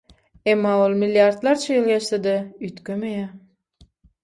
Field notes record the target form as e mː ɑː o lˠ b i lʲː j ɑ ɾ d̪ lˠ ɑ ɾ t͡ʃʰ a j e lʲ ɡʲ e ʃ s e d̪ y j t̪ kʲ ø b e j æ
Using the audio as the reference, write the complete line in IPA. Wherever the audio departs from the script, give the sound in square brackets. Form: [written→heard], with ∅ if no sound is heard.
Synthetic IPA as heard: e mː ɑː o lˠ [b→m] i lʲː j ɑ ɾ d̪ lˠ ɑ ɾ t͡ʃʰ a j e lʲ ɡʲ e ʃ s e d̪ y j t̪ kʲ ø [b→m] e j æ